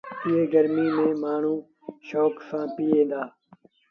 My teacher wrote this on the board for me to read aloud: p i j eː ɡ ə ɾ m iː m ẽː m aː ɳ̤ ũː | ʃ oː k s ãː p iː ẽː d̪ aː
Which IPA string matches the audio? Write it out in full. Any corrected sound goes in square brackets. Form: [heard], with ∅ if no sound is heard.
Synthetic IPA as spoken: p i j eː ɡ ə ɾ m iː m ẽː m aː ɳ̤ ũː | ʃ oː k s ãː p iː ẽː d̪ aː